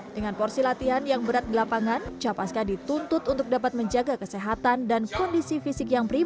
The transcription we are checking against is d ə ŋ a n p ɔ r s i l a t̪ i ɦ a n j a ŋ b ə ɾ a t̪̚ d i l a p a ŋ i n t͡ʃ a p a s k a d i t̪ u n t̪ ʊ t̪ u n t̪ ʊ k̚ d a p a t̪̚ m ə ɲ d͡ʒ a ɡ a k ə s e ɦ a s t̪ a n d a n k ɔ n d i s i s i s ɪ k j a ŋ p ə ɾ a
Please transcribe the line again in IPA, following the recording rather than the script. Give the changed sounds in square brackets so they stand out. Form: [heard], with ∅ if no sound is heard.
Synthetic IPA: d ə ŋ a n p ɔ r s i l a t̪ i ɦ a n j a ŋ b ə ɾ a t̪̚ d i l a p a ŋ [a] n t͡ʃ a p a s k a d i t̪ u n t̪ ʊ t̪ u n t̪ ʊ k̚ d a p a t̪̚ m ə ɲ d͡ʒ a ɡ a k ə s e ɦ a [∅] t̪ a n d a n k ɔ n d i s i [f] i s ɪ k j a ŋ p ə ɾ [i]

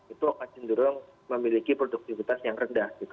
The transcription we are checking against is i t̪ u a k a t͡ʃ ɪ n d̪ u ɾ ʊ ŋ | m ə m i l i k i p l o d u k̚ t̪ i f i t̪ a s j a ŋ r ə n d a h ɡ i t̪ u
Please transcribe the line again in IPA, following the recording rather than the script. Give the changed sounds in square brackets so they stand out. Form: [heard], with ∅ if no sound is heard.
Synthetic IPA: i t̪ u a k a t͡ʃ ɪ n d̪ u ɾ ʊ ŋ | m ə m i l i k i p [ɾ] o d u k̚ t̪ i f i t̪ a s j a ŋ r ə n d a h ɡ i t̪ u

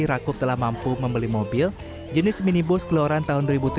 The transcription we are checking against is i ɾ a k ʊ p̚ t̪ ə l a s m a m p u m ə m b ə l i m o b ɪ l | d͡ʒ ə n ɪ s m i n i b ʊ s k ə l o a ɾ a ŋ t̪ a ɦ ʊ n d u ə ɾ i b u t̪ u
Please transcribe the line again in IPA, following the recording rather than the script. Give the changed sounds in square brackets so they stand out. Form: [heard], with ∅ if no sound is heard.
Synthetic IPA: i ɾ a k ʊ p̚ t̪ ə l a [h] m a m p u m ə m b ə l i m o b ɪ l | d͡ʒ ə n ɪ s m i n i b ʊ s k ə l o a ɾ a [n] t̪ a ɦ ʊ n d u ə ɾ i b u t̪ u

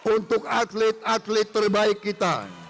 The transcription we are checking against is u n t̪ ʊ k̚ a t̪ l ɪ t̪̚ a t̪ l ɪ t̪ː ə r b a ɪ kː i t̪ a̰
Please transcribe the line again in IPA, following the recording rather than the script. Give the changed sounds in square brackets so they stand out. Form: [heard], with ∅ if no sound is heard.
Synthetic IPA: u n t̪ ʊ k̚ a t̪ l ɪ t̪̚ a t̪ l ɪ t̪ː ə r b a ɪ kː i t̪ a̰

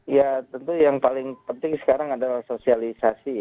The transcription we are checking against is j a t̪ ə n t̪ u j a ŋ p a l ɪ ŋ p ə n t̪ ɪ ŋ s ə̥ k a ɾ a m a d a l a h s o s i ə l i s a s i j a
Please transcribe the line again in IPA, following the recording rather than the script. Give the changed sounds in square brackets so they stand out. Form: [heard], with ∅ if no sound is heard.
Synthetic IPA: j a t̪ ə n t̪ u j a ŋ p a l ɪ ŋ p ə n t̪ ɪ ŋ s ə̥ k a ɾ a [ŋ] a d a l a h s o s i [a] l i s a s i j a

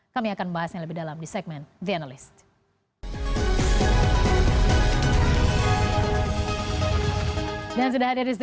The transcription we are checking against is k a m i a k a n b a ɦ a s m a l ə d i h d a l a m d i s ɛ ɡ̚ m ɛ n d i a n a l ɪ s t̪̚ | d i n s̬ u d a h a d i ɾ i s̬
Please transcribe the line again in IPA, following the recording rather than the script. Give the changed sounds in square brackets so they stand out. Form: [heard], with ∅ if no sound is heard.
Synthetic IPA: k a m i a k a n b a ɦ a s [ɲ] a l ə [b] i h d a l a m d i s ɛ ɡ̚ m ɛ n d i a n a l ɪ s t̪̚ | d [a] n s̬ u d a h a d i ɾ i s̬

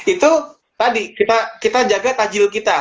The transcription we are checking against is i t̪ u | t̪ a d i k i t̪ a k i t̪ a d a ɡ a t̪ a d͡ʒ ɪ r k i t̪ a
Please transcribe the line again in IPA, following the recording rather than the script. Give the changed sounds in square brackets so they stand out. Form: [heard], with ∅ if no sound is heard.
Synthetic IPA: i t̪ u | t̪ a d i k i t̪ a k i t̪ a [d͡ʒ] a ɡ a t̪ a d͡ʒ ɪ [l] k i t̪ a

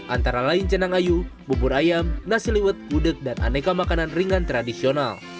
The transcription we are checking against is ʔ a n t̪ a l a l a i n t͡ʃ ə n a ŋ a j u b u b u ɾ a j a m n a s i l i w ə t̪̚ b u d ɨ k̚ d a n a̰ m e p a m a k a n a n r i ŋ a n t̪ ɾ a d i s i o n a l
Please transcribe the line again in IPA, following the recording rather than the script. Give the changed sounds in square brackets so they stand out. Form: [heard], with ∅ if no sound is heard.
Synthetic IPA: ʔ a n t̪ a [ɾ] a l a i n t͡ʃ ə n a ŋ a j u b u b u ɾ a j a m n a s i l i w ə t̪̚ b u d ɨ k̚ d a n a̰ [n] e [k] a m a k a n a n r i ŋ a n t̪ ɾ a d i s i o n a l

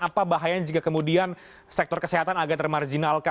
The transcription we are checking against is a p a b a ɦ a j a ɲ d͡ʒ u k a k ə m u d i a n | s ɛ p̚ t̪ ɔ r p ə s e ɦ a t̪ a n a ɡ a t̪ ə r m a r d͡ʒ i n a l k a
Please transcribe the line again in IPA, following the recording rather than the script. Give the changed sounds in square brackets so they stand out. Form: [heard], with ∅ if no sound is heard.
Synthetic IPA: a p a b a ɦ a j a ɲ d͡ʒ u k a k ə m u d i a n | s ɛ [k̚] t̪ ɔ r [k] ə s e ɦ a t̪ a n a ɡ a t̪ ə r m a r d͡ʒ i n a l k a

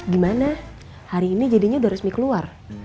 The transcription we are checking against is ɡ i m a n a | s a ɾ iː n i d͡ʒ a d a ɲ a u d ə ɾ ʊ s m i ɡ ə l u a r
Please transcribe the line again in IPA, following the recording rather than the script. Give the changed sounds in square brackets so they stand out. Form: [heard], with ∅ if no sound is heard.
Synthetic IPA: ɡ i m a n a | [h] a ɾ iː n i d͡ʒ a d [i] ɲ a u d [a] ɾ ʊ s m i [k] ə l u a r

